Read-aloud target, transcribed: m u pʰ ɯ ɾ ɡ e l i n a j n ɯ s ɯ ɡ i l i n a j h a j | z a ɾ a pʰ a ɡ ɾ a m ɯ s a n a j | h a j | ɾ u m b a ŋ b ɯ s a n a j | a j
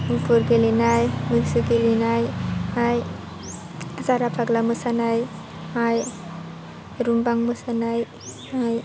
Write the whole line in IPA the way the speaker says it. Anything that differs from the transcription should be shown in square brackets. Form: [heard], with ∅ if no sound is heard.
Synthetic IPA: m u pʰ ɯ ɾ ɡ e l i n a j [m] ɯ s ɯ ɡ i l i n a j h a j | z a ɾ a pʰ a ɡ [l] a m ɯ s a n a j | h a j | ɾ u m b a ŋ [m] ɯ s a n a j | a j